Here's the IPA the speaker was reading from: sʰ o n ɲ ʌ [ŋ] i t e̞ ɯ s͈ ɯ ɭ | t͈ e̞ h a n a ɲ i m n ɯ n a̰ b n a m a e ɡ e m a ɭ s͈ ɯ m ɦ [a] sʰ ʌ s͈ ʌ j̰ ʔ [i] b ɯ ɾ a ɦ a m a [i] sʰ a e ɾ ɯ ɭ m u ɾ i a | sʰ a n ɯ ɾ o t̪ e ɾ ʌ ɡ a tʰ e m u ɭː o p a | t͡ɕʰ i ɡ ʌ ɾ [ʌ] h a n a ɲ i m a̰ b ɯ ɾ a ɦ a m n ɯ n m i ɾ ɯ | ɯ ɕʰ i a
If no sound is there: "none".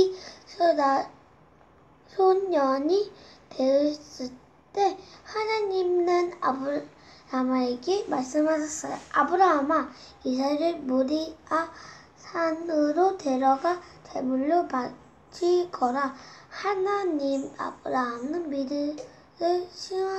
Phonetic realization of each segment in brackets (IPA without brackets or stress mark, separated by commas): ɲ, a, a, i, a